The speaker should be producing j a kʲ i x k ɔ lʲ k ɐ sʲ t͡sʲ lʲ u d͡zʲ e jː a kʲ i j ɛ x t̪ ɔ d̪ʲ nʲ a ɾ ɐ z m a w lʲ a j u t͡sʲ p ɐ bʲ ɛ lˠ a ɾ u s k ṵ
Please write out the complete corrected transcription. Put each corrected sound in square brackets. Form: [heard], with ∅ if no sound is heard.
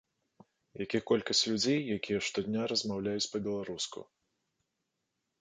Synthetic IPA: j a kʲ i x k ɔ lʲ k ɐ sʲ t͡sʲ lʲ u d͡zʲ e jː a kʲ i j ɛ [ʂ] t̪ ɔ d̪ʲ nʲ a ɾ ɐ z m a w lʲ a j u t͡sʲ p ɐ bʲ ɛ lˠ a ɾ u s k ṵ